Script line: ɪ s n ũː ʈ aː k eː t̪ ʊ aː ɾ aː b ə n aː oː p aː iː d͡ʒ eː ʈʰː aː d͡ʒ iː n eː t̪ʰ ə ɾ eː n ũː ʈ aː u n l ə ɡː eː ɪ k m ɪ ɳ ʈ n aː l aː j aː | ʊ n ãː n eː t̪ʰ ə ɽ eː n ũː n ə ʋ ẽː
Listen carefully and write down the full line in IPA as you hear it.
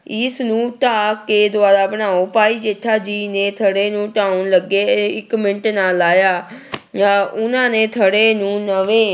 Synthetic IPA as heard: ɪ s n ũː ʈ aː k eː d̪ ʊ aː ɾ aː b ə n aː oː p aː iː d͡ʒ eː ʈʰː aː d͡ʒ iː n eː t̪ʰ ə ɽ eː n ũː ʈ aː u n l ə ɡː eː ɪ k m ɪ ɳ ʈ n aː l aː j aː | ʊ n ãː n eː t̪ʰ ə ɽ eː n ũː n ə ʋ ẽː

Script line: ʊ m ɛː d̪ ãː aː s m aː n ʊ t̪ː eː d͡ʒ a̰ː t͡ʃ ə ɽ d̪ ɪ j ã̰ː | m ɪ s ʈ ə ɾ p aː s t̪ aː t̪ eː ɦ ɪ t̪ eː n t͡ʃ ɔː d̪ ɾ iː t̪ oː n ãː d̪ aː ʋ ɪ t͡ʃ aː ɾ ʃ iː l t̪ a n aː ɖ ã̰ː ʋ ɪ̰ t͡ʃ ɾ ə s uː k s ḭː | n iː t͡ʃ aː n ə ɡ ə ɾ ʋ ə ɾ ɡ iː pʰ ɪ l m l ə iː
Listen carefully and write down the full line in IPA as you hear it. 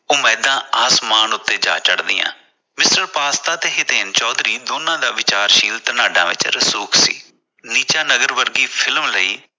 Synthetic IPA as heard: ʊ m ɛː d̪ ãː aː s m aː n ʊ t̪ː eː d͡ʒ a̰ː t͡ʃ ə ɽ d̪ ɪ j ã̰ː | m ɪ s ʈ ə ɾ p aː s t̪ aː t̪ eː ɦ ɪ t̪ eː n t͡ʃ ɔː d̪ ɾ iː d̪ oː n ãː d̪ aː ʋ ɪ t͡ʃ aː ɾ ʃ iː l t̪ ə n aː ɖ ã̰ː ʋ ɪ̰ t͡ʃ ɾ ə s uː k s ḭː | n iː t͡ʃ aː n ə ɡ ə ɾ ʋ ə ɾ ɡ iː pʰ ɪ l m l ə iː

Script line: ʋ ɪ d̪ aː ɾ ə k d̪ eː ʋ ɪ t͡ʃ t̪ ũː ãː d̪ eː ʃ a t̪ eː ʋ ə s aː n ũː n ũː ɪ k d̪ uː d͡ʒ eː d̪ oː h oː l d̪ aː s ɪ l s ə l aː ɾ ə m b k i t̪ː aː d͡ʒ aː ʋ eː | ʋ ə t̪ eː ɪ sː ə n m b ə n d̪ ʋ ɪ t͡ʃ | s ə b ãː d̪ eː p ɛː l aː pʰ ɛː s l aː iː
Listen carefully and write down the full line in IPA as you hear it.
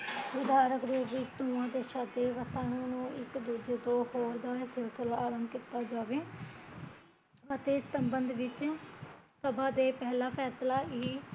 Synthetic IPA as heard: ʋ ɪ d̪ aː ɾ ə k d̪ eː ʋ ɪ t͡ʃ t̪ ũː ãː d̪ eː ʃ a d̪ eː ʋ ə s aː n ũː n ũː ɪ k d̪ uː d͡ʒ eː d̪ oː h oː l d̪ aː s ɪ l s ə l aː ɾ ə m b k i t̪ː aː d͡ʒ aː ʋ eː | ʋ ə t̪ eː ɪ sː ə m b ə n d̪ ʋ ɪ t͡ʃ | s ə b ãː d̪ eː p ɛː l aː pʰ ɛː s l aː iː

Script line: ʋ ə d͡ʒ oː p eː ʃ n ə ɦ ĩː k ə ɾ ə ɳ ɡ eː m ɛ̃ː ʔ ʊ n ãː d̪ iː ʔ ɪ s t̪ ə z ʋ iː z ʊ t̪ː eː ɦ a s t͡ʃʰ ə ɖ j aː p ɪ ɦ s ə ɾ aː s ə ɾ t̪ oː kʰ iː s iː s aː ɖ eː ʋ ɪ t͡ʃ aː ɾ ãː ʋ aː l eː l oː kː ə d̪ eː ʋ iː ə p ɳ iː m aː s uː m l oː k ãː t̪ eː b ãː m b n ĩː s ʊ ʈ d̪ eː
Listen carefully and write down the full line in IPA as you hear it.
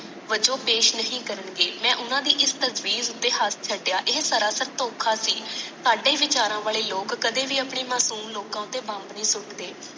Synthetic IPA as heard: ʋ ə d͡ʒ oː p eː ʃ n ə ɦ ĩː k ə ɾ ə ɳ ɡ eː m ɛ̃ː ʔ ʊ n ãː d̪ iː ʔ ɪ s t̪ ə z ʋ iː z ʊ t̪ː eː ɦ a s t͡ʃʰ ə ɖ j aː ʔ ɪ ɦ s ə ɾ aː s ə ɾ t̪ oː kʰ aː s iː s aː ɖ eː ʋ ɪ t͡ʃ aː ɾ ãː ʋ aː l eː l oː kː ə d̪ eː ʋ iː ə p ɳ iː m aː s uː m l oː k ãː t̪ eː b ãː m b n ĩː s ʊ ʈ d̪ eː

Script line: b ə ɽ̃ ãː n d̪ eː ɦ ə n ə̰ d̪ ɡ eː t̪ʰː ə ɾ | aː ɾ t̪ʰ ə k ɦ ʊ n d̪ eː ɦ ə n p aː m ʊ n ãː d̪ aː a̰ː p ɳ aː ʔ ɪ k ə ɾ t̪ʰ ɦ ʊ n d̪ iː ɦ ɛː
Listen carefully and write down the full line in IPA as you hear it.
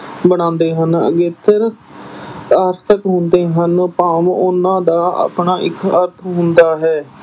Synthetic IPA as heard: b ə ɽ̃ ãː n d̪ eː ɦ ə n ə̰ ɡ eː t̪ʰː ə ɾ | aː ɾ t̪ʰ ə k ɦ ʊ n d̪ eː ɦ ə n p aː m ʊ n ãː d̪ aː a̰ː p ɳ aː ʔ ɪ k ə ɾ t̪ʰ ɦ ʊ n d̪ aː ɦ ɛː

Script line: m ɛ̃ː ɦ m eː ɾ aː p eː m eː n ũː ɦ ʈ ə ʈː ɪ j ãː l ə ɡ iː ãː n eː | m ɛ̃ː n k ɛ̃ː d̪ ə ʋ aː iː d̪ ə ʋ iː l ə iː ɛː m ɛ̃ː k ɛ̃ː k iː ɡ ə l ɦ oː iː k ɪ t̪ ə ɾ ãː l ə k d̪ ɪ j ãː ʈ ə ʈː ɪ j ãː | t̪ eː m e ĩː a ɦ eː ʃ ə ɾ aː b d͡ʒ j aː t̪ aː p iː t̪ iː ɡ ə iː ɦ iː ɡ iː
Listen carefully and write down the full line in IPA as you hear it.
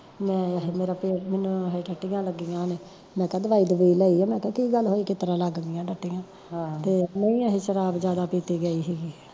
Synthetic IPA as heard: m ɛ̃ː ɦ m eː ɾ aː p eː m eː n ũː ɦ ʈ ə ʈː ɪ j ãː l ə ɡ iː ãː n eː | m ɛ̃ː k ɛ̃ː d̪ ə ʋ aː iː d̪ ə ʋ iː l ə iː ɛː m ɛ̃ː k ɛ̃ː k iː ɡ ə l ɦ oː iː k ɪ t̪ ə ɾ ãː l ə ɡ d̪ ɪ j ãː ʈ ə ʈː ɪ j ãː | t̪ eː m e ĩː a ɦ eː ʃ ə ɾ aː b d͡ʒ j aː d̪ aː p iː t̪ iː ɡ ə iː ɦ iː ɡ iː

